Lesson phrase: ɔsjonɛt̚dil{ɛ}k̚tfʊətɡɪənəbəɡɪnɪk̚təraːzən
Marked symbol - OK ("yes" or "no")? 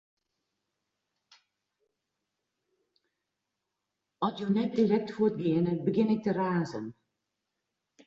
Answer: yes